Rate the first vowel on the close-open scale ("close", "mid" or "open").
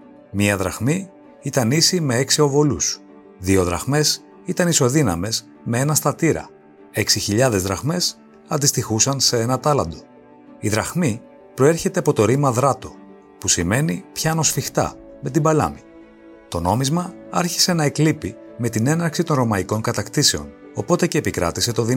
close